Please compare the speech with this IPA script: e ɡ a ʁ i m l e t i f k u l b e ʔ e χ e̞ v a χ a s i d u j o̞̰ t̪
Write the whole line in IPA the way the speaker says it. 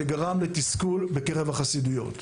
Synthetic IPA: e ɡ a ʁ a m l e t i s k u l b e k e ʁ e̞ v a χ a s i d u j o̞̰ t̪